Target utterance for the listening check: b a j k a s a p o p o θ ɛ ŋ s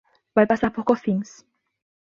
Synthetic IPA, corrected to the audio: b a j p a s a p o k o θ i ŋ s